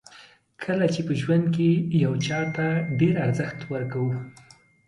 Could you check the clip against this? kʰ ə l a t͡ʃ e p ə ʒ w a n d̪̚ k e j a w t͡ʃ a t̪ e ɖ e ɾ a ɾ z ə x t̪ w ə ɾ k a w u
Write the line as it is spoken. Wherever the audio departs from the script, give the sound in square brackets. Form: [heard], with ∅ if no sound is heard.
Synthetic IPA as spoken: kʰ ə l a t͡ʃ e p ə ʒ w a n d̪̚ k e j a w t͡ʃ [ɑ] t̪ [a] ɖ e ɾ a ɾ z ə x t̪ w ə ɾ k a w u